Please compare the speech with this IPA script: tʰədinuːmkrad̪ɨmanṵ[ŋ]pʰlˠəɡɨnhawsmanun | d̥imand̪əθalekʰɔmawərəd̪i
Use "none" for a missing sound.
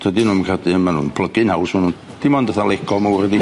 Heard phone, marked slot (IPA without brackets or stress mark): n